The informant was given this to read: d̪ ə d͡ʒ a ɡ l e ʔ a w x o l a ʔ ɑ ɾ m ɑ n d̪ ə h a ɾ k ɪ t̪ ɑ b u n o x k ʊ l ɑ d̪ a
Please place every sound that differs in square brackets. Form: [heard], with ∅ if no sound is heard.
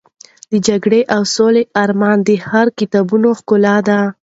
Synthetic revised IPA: d̪ ə d͡ʒ a ɡ [ɽ] e ʔ a w [s] o l [e] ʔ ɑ ɾ m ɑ n d̪ ə h a ɾ k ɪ t̪ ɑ b u n o x k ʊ l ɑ d̪ a